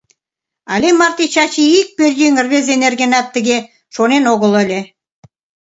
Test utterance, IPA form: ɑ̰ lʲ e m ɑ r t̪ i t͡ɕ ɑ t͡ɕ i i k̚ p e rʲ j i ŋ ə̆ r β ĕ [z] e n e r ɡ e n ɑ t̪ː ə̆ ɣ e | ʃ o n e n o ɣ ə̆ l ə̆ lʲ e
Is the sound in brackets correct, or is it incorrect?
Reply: correct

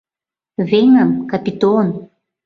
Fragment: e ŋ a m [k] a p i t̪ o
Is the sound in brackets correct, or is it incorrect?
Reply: correct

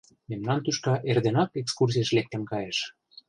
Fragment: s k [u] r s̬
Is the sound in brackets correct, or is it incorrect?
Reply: correct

